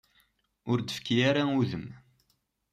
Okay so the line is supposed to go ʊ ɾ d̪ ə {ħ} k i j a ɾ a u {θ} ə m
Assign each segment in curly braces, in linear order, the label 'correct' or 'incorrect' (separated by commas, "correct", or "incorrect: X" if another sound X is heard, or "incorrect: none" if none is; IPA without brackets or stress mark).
incorrect: f, incorrect: ð